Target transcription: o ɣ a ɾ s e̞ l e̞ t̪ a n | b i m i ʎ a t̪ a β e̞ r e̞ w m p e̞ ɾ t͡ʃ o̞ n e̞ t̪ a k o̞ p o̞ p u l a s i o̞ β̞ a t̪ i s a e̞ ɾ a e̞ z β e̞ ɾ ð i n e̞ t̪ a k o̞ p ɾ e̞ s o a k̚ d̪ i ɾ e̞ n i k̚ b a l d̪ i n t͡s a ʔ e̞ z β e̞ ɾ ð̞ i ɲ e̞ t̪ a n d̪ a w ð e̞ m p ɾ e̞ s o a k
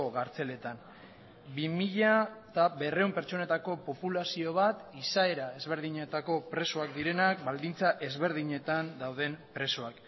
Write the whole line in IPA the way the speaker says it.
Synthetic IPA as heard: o ɣ a ɾ t͡s e̞ l e̞ t̪ a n | b i m i ʎ a t̪ a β e̞ r e̞ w m p e̞ ɾ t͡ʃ o̞ n e̞ t̪ a k o̞ p o̞ p u l a s i o̞ β̞ a t̪ i s a e̞ ɾ a e̞ z β e̞ ɾ ð i ɲ e̞ t̪ a k o̞ p ɾ e̞ s o a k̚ d̪ i ɾ e̞ n a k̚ b a l d̪ i n t͡s a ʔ e̞ z β e̞ ɾ ð̞ i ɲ e̞ t̪ a n d̪ a w ð e̞ m p ɾ e̞ s o a k